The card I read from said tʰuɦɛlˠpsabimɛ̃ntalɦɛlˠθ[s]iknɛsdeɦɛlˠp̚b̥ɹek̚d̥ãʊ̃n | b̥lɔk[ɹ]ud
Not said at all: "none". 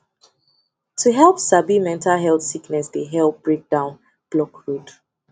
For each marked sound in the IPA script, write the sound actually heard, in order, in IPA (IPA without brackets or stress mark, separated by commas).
s, ɹ